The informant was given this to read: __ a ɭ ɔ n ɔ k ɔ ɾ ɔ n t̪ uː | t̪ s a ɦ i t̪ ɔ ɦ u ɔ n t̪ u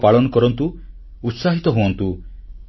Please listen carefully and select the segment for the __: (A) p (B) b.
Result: A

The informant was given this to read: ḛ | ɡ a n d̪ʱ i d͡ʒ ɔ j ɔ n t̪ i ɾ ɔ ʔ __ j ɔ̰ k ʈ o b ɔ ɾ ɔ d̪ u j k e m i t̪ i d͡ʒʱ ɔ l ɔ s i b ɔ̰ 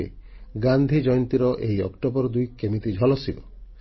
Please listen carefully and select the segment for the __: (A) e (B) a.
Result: A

